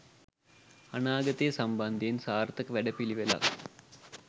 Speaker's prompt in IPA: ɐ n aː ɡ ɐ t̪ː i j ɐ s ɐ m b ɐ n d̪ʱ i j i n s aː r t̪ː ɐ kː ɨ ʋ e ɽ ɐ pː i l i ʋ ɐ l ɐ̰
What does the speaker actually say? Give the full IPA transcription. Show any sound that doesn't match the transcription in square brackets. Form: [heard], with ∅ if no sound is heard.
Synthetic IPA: ɐ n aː ɡ ɐ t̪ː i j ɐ s ɐ m b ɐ n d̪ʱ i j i n s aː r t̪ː ɐ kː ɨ ʋ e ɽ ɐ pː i l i ʋ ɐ l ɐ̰

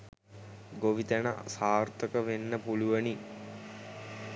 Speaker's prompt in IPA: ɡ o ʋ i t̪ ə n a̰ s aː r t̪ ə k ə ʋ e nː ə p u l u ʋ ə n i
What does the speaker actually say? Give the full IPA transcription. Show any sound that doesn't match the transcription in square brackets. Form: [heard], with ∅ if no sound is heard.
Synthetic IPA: ɡ o ʋ i t̪ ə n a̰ s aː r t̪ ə k ə ʋ e nː ə p u l u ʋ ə n i

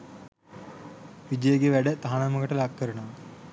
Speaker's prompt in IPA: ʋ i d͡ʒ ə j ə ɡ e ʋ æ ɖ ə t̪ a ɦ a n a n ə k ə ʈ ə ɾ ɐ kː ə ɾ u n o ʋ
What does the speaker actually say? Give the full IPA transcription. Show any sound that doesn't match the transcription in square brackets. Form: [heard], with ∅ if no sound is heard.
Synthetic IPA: ʋ i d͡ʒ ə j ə ɡ e ʋ æ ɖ ə t̪ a ɦ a n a [m] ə k ə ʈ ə [l] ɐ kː ə ɾ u n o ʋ

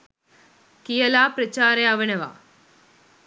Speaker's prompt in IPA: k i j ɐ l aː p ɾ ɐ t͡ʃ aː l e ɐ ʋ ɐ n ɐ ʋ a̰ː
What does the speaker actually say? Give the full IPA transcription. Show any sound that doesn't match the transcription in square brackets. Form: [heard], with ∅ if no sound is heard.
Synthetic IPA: k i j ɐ l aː p ɾ ɐ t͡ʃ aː [ɾ] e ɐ ʋ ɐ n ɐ ʋ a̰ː

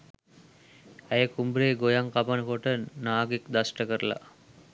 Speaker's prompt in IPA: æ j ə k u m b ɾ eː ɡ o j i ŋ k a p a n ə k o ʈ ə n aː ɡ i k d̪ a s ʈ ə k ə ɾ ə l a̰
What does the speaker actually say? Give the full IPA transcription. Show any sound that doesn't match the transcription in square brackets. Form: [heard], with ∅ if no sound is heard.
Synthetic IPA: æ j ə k u m b ɾ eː ɡ o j [a] ŋ k a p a n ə k o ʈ ə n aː ɡ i k d̪ a s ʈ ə k ə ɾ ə l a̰

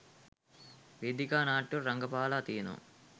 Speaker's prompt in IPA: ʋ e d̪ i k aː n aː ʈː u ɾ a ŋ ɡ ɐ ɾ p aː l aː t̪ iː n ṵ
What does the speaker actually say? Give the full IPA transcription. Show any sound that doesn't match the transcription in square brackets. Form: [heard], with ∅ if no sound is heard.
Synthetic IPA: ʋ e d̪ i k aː n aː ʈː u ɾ [ɐ] ŋ ɡ ɐ [∅] p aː l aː t̪ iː n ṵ

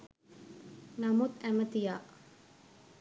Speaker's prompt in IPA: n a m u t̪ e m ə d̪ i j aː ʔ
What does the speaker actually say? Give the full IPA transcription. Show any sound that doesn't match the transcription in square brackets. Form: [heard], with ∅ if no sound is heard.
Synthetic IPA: n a m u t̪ [æ] m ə [t̪] i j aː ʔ

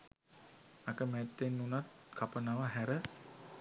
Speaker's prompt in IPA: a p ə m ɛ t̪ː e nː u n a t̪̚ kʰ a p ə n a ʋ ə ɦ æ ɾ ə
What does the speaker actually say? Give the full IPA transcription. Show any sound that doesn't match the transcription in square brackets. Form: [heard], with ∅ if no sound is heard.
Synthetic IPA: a [k] ə m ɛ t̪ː e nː u n a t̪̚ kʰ a p ə n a ʋ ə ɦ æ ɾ ə

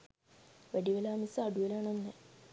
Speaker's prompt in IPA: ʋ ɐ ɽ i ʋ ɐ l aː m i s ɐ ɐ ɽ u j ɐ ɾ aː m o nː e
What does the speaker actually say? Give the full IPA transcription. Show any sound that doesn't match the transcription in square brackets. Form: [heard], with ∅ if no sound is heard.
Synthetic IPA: ʋ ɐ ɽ i ʋ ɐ l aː m i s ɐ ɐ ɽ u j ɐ [l] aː [ɳ] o nː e

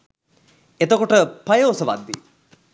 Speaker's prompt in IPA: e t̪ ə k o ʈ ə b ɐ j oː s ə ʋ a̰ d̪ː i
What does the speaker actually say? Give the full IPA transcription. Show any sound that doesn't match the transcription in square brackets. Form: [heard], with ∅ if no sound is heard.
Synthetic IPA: e t̪ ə k o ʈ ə [p] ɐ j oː s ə ʋ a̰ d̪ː i

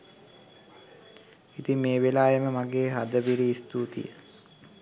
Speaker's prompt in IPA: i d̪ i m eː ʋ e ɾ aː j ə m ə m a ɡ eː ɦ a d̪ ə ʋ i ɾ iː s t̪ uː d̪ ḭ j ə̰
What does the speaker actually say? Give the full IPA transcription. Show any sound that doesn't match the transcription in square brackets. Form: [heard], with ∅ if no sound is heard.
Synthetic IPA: i [t̪] i m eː ʋ e [l] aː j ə m ə m a ɡ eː ɦ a d̪ ə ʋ i ɾ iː s t̪ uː [t̪] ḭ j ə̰

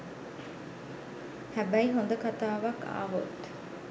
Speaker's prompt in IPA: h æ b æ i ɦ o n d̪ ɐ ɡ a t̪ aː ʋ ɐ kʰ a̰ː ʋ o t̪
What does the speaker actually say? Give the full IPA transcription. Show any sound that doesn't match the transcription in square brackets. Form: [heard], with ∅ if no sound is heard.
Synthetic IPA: h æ b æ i ɦ o n d̪ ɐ [k] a t̪ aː ʋ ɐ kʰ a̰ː ʋ o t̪

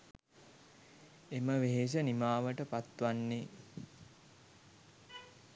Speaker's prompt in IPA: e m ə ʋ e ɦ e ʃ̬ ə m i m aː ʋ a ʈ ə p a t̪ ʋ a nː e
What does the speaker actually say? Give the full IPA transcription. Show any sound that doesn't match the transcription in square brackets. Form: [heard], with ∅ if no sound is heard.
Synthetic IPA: e m ə ʋ e ɦ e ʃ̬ ə [n] i m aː ʋ [ə] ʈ ə p a t̪ ʋ a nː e

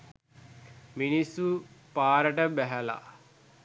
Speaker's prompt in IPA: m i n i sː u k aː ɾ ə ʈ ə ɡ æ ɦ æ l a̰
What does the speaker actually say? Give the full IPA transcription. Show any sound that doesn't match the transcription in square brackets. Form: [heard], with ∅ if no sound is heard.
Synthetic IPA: m i n i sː u [p] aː ɾ ə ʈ ə [b] æ ɦ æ l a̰

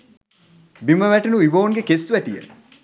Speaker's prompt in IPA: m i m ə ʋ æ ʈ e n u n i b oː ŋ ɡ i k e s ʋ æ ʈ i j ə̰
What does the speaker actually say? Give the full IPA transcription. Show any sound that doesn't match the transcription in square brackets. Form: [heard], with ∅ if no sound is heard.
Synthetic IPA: [b] i m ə ʋ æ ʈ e n u [∅] i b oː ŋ ɡ [e] k e s ʋ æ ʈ i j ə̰

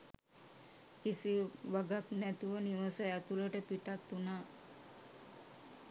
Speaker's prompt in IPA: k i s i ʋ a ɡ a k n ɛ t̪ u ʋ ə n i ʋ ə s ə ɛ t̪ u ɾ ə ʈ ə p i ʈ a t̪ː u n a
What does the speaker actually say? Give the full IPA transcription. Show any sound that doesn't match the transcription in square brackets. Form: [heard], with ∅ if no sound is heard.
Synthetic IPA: k i s i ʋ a ɡ a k n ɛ t̪ u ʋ ə n i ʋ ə s ə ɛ t̪ u [l] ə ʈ ə p i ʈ a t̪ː u n a

